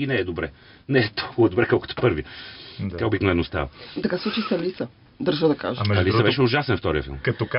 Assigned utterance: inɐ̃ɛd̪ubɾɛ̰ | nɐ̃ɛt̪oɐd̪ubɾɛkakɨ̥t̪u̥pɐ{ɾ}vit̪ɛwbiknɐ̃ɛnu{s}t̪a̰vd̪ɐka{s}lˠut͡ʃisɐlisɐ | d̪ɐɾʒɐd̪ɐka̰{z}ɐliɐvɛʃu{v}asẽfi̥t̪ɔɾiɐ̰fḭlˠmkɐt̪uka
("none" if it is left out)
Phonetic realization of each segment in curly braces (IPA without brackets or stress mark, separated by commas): ɾ, s, s, ʒ, ʒ